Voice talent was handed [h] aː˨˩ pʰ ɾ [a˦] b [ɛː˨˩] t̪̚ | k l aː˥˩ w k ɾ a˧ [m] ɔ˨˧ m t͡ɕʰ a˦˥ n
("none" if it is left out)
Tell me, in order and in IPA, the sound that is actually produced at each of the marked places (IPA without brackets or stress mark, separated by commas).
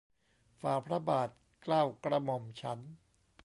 f, a˦, aː˨˩, m